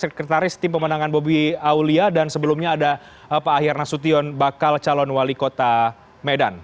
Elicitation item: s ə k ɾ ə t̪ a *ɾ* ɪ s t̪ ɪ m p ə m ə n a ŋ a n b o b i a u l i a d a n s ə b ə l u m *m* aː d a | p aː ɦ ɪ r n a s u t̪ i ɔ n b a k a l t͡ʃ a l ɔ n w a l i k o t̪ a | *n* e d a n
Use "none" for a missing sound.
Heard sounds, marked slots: ɾ, ɲ, m

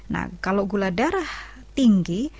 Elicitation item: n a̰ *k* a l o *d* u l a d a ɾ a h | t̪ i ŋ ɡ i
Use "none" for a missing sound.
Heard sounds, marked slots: k, ɡ

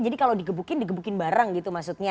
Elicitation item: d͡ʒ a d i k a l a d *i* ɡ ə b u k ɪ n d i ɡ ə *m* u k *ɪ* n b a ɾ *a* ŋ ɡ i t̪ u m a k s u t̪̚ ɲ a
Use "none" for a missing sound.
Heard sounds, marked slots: i, b, ɪ, a

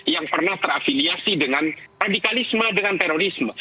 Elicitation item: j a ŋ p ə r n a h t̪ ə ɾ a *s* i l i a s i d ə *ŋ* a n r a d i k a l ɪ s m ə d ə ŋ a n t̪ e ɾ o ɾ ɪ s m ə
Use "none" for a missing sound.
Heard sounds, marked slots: f, ŋ

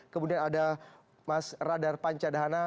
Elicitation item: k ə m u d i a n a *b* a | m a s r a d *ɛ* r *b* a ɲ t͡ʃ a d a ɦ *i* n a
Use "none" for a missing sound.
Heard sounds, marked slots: d, a, p, a

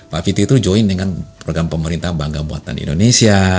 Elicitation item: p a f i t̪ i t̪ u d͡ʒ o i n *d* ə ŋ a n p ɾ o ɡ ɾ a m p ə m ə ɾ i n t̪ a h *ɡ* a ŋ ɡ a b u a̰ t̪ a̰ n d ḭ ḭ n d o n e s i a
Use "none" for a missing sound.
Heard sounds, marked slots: d, b

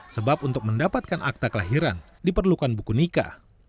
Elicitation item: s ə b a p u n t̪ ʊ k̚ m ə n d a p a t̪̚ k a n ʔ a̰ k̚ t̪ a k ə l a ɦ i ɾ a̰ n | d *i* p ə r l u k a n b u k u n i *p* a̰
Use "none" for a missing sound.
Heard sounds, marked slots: i, k

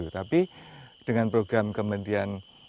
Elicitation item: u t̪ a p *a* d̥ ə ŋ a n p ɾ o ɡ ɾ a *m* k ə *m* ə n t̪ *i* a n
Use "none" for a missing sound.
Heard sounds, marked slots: i, m, m, i

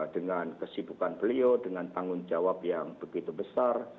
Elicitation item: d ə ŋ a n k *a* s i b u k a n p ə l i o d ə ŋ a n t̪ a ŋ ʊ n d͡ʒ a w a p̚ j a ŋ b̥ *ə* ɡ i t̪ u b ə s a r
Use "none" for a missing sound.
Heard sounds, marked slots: ə, ə

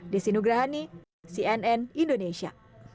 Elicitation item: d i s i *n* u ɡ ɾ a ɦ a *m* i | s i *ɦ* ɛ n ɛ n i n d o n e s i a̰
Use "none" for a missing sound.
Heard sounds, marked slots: n, n, none

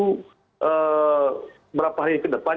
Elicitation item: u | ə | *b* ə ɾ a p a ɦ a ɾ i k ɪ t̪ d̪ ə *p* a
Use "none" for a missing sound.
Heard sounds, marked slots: b, p

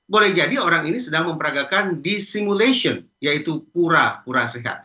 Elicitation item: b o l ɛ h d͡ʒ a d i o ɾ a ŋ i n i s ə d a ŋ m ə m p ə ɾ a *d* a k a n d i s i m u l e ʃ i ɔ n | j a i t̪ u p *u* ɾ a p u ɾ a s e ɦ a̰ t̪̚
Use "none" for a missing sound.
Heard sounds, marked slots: ɡ, u

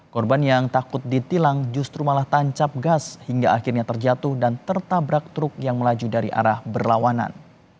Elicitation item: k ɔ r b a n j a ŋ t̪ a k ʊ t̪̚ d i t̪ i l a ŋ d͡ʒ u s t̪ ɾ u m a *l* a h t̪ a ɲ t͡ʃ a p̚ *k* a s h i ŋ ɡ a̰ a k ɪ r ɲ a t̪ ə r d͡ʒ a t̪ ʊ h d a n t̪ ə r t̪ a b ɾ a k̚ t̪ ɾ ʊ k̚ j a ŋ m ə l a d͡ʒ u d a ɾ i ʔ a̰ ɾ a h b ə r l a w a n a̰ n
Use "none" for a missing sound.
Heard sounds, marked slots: l, ɡ

